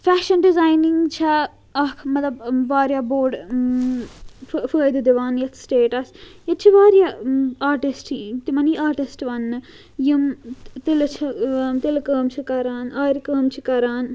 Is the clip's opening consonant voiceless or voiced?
voiceless